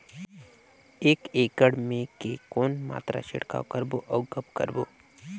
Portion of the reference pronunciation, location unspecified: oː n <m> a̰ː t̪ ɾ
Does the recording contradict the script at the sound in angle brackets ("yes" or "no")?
no